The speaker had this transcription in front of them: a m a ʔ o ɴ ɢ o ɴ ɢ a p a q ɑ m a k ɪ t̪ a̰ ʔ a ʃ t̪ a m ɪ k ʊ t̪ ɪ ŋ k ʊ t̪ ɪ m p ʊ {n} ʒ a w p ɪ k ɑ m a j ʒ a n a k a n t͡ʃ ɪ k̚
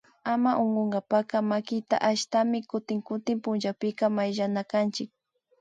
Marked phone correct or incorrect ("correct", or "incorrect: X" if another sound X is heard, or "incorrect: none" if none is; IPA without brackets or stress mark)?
correct